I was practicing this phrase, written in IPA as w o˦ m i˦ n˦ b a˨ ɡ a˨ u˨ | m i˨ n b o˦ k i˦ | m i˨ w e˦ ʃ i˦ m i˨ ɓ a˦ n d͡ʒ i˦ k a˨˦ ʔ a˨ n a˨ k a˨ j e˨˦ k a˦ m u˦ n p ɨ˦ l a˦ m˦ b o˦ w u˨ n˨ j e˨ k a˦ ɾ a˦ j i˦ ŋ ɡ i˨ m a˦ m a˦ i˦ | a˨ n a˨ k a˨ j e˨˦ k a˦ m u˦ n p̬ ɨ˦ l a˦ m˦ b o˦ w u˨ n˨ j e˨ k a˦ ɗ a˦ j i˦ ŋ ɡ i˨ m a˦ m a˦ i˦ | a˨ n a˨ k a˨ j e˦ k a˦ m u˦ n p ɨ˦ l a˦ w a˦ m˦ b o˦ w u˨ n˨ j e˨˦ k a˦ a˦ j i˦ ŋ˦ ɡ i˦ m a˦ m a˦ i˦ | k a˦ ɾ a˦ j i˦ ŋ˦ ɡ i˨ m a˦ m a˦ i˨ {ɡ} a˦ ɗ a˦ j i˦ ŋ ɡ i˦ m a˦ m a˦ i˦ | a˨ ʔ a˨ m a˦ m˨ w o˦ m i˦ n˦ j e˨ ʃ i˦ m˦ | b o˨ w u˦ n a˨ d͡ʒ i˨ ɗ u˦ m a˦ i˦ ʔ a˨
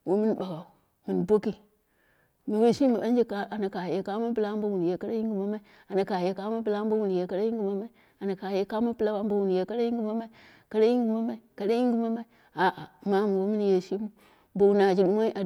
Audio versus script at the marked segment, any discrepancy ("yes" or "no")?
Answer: yes